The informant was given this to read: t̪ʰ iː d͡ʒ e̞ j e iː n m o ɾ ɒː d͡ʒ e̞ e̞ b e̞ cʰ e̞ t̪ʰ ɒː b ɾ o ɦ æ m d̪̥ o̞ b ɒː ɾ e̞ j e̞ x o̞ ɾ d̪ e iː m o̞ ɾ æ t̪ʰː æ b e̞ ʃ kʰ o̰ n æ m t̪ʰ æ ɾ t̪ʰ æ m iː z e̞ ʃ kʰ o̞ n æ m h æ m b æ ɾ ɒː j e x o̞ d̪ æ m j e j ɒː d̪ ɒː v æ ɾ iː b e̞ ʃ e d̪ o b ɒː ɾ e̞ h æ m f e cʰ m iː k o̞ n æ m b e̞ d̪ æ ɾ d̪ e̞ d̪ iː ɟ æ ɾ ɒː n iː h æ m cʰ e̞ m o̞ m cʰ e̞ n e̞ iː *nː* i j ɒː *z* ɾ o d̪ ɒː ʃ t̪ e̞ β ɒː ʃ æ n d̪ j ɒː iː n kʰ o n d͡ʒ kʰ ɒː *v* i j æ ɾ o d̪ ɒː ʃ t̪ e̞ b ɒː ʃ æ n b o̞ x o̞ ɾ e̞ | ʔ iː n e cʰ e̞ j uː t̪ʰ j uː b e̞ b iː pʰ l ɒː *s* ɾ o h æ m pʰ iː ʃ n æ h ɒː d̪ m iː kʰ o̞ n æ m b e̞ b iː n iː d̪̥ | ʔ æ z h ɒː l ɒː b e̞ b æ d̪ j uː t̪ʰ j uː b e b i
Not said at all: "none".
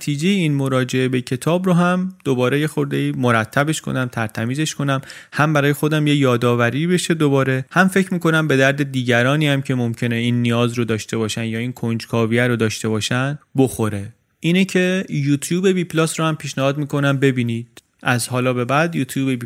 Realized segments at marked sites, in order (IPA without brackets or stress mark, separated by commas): nː, z, v, s